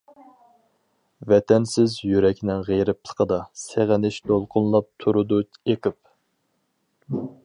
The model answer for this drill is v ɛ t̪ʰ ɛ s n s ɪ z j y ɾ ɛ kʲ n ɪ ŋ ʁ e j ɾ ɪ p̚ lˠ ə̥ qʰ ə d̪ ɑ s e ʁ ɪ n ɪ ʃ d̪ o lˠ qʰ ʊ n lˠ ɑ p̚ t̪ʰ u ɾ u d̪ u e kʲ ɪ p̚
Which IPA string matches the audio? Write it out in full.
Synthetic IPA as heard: v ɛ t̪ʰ ɛ n s ɪ z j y ɾ ɛ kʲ n ɪ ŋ ʁ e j ɾ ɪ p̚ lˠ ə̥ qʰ ə d̪ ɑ s e ʁ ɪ n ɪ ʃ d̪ o lˠ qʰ ʊ n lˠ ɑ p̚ t̪ʰ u ɾ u d̪ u e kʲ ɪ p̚